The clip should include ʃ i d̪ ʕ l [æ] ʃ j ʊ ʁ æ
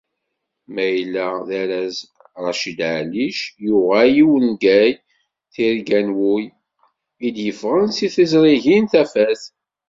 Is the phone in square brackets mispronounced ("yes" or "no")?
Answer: yes